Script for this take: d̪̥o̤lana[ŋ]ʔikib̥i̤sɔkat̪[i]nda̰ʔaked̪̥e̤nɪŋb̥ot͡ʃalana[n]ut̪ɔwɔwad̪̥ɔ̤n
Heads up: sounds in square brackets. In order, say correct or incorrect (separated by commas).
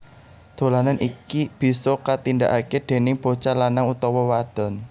incorrect, correct, incorrect